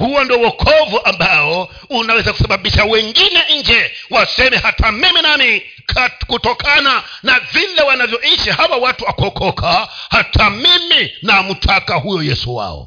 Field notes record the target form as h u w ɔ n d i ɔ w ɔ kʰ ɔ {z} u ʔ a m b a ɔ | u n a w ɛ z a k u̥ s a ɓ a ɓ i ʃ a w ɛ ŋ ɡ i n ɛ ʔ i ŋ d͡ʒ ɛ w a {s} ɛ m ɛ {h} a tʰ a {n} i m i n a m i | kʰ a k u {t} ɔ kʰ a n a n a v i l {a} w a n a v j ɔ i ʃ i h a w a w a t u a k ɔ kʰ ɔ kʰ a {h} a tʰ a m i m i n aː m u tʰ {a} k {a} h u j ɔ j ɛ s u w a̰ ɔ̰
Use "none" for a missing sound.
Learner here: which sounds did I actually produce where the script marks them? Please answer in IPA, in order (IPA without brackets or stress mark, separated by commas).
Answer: v, s, h, m, t, ɛ, h, a, a